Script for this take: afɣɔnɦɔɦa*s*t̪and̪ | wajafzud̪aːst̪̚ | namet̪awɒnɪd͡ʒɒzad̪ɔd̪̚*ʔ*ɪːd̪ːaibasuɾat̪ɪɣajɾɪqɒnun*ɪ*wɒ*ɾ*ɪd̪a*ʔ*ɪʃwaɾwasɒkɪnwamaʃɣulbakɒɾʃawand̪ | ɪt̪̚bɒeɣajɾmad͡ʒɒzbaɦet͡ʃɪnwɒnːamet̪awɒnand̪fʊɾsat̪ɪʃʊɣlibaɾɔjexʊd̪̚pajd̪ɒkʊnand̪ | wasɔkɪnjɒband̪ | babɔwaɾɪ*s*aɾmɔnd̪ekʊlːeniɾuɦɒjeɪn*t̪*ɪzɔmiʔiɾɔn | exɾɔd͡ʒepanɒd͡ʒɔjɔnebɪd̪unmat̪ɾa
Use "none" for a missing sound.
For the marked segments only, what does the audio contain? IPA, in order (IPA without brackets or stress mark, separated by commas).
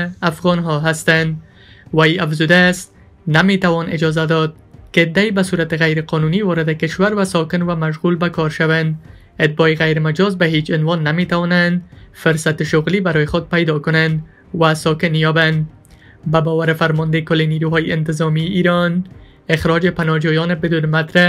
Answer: s, k, i, ɾ, k, f, t̪